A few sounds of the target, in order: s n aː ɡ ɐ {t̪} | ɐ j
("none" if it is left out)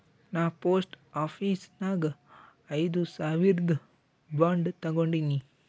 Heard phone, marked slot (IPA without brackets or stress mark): none